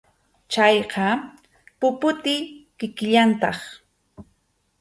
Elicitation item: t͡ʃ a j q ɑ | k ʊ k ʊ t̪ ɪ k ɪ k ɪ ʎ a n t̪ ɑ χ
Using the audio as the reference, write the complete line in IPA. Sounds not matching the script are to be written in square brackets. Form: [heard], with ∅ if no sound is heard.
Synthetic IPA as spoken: t͡ʃ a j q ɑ | [p] ʊ [p] ʊ t̪ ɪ k ɪ k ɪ ʎ a n t̪ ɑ χ